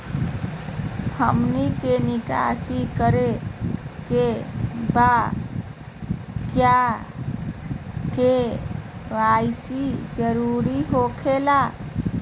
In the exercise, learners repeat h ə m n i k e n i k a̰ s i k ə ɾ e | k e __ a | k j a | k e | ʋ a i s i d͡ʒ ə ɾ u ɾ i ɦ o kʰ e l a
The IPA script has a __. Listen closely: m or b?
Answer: b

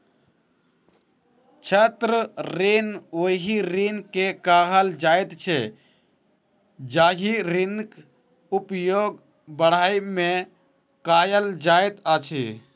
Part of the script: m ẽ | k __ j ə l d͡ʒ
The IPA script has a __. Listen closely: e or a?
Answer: a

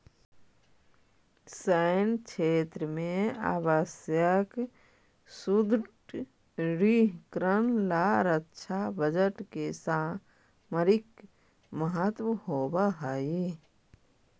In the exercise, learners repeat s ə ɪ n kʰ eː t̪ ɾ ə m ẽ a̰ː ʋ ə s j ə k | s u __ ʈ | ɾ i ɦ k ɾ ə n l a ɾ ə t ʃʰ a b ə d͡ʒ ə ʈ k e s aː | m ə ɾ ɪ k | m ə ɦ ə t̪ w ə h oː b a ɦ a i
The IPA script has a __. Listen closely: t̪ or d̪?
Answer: d̪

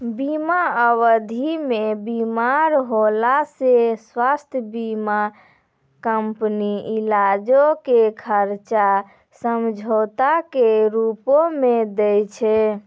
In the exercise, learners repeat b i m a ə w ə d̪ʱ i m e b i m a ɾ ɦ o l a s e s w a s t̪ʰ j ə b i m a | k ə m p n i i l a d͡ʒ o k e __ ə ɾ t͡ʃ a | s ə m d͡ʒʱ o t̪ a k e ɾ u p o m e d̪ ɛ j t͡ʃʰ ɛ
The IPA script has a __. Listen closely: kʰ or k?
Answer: kʰ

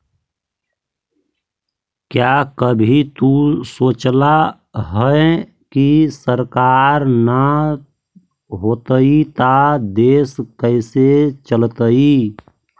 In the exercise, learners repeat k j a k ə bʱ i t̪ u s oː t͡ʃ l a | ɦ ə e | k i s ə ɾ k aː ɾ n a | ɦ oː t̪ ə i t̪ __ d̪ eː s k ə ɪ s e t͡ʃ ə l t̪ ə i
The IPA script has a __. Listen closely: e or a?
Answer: a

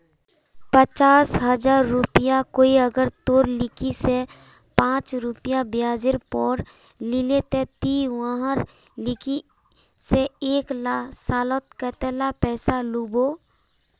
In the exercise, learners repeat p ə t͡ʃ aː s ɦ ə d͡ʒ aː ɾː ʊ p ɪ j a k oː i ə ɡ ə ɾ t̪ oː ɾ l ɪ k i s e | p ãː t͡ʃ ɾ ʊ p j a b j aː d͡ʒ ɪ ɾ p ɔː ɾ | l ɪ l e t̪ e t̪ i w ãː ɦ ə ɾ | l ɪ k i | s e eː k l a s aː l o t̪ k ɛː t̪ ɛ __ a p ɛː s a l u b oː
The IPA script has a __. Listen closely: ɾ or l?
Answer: l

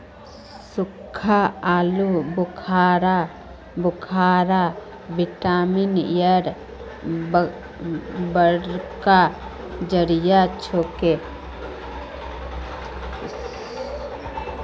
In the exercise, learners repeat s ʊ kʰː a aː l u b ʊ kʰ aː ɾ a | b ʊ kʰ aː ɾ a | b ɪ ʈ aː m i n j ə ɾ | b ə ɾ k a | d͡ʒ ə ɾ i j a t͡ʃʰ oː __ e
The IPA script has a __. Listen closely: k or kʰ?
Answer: k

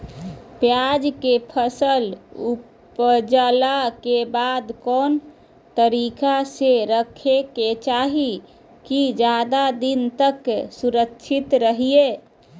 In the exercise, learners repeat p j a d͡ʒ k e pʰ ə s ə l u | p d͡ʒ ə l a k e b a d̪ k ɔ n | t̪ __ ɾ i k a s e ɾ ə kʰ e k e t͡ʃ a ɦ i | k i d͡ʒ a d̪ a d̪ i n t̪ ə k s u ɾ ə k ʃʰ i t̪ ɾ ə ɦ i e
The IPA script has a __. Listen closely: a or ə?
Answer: ə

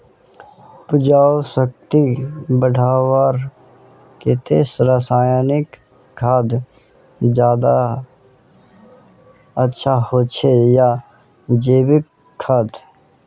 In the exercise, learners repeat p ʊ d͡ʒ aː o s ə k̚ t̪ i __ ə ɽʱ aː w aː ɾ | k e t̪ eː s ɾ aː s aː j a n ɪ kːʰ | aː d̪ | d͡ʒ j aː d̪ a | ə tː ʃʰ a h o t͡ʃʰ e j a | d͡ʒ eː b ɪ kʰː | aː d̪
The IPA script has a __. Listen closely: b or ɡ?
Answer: b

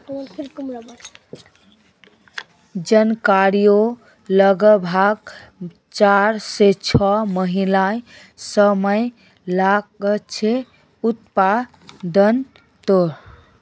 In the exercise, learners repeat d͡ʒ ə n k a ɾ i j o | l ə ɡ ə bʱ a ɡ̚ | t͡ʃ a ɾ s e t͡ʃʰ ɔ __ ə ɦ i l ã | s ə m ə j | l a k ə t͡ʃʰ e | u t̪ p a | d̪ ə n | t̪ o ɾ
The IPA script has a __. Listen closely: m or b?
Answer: m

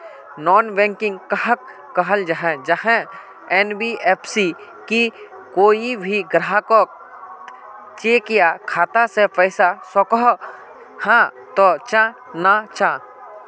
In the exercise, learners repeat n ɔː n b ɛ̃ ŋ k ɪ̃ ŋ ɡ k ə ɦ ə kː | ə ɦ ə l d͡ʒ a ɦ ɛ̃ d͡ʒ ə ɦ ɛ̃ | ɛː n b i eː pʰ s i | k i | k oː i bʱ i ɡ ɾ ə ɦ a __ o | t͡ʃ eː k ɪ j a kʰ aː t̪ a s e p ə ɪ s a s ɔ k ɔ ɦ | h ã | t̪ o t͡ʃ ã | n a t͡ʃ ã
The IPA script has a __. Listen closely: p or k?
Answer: k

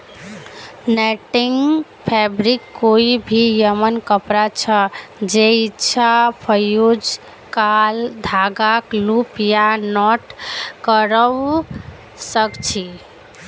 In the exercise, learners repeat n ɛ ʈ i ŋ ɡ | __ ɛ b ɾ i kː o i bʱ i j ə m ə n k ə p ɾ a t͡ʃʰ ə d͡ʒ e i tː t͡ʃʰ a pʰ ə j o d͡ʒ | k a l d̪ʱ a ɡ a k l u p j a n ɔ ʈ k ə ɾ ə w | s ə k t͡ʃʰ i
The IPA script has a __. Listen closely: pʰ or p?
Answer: pʰ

